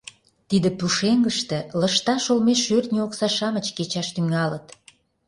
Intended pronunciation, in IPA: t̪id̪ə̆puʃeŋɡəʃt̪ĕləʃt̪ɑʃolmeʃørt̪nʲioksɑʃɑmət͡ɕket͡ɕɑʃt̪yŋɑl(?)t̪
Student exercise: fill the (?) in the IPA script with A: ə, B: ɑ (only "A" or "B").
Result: A